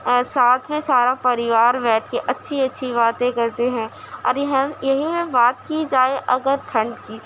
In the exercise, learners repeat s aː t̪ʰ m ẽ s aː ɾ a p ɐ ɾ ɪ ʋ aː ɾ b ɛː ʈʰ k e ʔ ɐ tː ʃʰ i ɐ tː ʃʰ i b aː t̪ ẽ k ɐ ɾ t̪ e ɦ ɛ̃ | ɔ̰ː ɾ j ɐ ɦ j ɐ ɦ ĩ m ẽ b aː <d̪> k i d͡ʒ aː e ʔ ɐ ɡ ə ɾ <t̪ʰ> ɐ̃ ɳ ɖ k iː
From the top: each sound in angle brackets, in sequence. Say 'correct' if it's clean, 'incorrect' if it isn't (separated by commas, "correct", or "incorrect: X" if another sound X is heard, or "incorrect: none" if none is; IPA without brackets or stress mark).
incorrect: t̪, correct